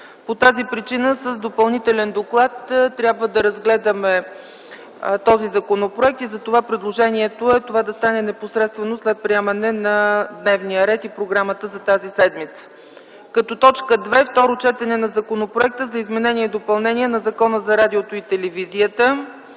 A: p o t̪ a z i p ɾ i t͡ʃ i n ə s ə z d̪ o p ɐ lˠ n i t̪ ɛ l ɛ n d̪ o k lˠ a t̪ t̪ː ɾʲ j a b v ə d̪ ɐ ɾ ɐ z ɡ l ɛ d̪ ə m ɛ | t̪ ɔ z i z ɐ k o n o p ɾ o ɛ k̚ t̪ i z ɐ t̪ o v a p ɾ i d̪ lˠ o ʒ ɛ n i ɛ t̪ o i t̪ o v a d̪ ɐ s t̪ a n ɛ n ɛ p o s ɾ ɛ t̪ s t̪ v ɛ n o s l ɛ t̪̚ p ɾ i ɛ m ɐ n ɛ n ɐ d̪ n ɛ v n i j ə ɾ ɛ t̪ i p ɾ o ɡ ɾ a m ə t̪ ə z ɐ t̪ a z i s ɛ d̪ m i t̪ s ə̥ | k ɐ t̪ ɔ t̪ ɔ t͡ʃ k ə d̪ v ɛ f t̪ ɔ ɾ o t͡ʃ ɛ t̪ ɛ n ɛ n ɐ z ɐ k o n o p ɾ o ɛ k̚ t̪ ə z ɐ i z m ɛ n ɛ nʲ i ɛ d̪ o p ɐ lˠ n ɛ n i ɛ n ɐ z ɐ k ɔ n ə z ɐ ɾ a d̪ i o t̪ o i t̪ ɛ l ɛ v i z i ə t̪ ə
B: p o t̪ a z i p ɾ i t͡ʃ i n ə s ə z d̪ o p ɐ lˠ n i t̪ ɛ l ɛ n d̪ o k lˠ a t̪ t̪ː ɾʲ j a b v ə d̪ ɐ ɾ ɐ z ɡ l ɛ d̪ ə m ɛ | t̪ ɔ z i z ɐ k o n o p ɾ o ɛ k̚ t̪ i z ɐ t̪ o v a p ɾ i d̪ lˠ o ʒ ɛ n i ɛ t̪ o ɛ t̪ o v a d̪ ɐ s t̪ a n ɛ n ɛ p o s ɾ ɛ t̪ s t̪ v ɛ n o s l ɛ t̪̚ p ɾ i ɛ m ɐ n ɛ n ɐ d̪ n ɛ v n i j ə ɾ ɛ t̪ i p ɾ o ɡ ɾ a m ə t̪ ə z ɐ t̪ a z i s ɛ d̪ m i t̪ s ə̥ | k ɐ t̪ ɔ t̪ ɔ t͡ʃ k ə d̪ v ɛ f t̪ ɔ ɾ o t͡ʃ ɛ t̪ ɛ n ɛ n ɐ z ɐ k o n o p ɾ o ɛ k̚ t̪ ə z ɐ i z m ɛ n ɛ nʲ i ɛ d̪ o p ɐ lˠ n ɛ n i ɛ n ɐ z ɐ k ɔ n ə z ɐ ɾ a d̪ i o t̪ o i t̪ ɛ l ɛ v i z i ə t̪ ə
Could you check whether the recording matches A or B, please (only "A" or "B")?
B